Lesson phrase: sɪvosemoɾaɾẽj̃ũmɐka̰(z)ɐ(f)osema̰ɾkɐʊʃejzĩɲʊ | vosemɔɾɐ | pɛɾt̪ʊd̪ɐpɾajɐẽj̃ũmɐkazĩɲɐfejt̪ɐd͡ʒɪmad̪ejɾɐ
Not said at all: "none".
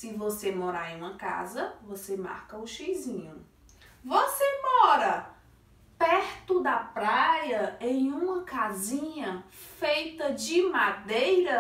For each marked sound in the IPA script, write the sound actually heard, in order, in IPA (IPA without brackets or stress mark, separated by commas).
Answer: z, v